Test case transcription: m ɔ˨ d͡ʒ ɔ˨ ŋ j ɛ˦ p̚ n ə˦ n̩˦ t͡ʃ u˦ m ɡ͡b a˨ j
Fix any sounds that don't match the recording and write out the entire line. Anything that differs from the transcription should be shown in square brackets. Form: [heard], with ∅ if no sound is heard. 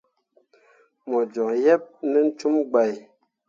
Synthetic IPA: m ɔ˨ d͡ʒ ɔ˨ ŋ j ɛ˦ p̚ n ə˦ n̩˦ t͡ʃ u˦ m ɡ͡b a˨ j